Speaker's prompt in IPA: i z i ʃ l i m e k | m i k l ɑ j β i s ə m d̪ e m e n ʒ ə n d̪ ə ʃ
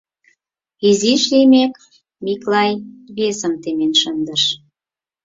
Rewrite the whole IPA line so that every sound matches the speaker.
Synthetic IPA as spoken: i z i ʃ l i m e k | m i k l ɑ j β e s ə m t̪ e m e n ʃ ə n d̪ ə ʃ